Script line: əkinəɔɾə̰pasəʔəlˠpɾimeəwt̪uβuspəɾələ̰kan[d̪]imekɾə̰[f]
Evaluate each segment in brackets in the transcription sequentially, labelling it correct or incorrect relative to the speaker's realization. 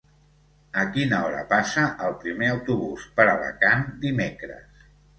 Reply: correct, incorrect: s

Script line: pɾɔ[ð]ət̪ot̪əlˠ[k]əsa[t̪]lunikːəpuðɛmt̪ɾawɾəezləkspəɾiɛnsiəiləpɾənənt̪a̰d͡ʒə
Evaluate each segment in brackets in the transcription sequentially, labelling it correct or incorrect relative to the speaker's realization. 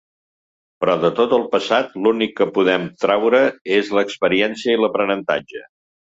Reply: correct, incorrect: p, correct

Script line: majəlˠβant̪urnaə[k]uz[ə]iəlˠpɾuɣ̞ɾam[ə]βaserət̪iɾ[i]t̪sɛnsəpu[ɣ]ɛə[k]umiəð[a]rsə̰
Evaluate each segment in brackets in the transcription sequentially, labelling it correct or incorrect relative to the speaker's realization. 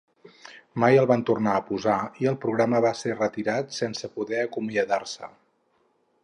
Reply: incorrect: p, incorrect: a, correct, incorrect: a, incorrect: ð, correct, correct

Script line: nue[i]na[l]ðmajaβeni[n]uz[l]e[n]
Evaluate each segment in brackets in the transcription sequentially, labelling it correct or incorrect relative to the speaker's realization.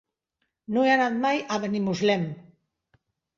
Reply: incorrect: a, incorrect: none, incorrect: m, correct, incorrect: m

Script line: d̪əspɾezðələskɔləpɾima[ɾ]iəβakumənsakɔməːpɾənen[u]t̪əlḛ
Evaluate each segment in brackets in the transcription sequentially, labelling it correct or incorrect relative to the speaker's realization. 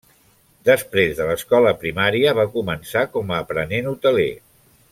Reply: correct, correct

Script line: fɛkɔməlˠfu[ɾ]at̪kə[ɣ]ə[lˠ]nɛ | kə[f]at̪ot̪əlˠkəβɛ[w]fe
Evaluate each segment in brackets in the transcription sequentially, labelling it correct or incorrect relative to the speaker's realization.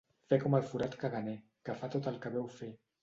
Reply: correct, correct, incorrect: none, correct, correct

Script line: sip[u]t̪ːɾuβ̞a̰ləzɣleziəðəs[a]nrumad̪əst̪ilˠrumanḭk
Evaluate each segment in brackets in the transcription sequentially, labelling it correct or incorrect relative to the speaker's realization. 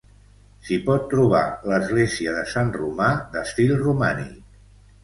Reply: incorrect: ɔ, correct

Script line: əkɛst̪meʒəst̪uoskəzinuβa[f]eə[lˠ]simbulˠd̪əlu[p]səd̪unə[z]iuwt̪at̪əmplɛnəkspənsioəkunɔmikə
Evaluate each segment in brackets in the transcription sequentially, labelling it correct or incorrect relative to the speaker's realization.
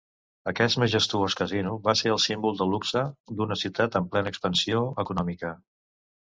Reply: incorrect: s, correct, incorrect: k, incorrect: s

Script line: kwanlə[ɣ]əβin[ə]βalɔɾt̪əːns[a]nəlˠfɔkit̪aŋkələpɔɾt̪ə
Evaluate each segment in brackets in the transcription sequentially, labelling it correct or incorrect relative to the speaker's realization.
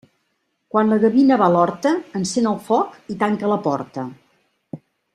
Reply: correct, correct, incorrect: e

